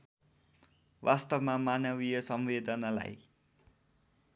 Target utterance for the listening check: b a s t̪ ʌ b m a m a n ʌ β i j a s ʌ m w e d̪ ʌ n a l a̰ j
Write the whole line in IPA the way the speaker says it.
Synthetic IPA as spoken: w a s t̪ ʌ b m a m a n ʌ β i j ʌ s ʌ m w e d̪ ʌ n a l a̰ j